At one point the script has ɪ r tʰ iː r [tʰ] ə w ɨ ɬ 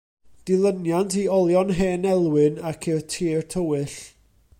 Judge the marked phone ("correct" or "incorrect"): correct